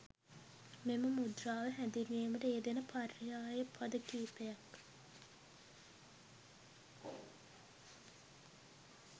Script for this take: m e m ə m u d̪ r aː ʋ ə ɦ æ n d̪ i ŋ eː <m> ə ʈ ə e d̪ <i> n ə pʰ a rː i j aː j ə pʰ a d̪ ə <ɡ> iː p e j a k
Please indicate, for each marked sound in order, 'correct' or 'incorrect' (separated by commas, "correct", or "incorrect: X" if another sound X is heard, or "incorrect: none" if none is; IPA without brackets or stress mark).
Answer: correct, incorrect: e, incorrect: k